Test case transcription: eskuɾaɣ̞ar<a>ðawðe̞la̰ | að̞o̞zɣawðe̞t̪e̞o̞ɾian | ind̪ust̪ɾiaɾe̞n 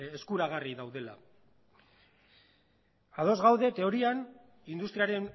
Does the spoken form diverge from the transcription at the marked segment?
yes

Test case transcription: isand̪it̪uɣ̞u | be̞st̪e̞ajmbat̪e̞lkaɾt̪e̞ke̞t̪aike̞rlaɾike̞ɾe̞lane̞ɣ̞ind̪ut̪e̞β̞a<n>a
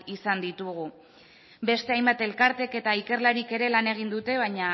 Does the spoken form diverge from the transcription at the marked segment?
yes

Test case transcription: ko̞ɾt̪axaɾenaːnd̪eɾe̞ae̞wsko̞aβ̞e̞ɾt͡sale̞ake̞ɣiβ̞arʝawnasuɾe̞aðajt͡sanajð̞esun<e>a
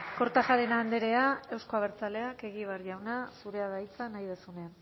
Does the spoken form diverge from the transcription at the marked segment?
no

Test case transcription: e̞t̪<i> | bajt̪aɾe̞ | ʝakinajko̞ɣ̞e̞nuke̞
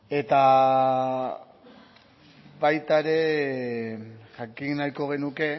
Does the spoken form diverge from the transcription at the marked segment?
yes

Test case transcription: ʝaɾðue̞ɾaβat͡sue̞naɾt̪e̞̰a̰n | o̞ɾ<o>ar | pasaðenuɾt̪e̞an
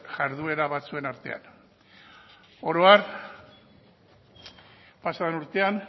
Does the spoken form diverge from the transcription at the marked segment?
no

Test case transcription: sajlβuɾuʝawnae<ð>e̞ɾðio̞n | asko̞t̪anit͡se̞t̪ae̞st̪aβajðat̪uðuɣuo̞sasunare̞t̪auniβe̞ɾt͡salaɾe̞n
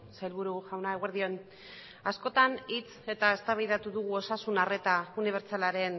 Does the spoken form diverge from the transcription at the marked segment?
yes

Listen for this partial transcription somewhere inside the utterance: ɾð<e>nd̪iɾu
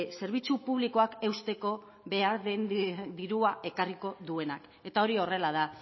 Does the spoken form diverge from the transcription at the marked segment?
no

